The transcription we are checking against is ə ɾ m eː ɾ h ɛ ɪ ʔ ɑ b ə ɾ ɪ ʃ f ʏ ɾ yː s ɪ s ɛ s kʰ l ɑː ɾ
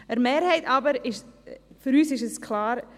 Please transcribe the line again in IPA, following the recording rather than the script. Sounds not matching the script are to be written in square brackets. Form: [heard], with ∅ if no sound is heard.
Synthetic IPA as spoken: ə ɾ m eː ɾ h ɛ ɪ [t] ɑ b ə ɾ ɪ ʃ f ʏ ɾ yː s ɪ [ʃ] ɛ s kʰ l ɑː ɾ